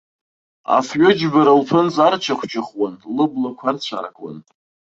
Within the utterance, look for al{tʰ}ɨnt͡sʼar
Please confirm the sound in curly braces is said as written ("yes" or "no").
no